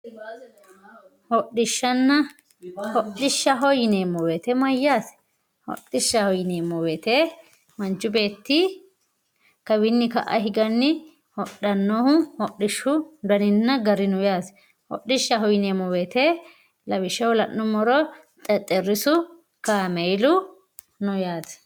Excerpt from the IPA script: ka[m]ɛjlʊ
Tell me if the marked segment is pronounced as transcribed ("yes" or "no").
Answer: yes